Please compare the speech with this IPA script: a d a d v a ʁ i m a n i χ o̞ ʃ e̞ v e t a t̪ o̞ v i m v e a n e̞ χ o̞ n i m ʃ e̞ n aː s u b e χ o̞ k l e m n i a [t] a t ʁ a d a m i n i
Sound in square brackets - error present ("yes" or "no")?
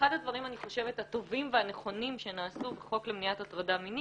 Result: no